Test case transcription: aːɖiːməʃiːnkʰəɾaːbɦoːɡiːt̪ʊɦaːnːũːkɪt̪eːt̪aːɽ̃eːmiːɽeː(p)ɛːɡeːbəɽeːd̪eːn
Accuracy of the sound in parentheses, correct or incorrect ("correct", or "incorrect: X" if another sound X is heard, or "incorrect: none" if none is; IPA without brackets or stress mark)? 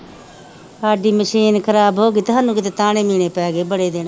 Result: correct